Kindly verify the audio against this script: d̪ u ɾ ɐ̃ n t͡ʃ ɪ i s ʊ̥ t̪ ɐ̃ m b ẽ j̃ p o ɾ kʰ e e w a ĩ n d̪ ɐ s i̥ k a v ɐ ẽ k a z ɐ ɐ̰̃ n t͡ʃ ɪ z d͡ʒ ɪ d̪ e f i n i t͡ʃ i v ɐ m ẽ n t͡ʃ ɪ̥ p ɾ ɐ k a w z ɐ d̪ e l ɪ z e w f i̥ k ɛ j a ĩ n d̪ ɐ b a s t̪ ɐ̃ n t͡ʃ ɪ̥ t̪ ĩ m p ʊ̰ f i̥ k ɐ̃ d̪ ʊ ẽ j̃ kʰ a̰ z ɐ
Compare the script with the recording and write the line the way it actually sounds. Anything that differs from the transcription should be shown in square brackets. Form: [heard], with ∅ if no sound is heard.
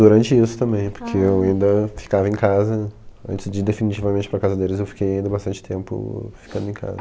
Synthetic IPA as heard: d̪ u ɾ ɐ̃ n t͡ʃ ɪ i s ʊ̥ t̪ ɐ̃ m b ẽ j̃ p o ɾ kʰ e e w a ĩ n d̪ ɐ [f] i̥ k a v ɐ ẽ k a z ɐ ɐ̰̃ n t͡ʃ ɪ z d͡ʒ ɪ d̪ e f i n i t͡ʃ i v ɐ m ẽ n t͡ʃ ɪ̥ p ɾ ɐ k a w z ɐ d̪ e l ɪ z e w f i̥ k [e] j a ĩ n d̪ ɐ b a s t̪ ɐ̃ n t͡ʃ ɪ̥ t̪ [ẽ] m p ʊ̰ f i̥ k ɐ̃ d̪ ʊ ẽ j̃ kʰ a̰ z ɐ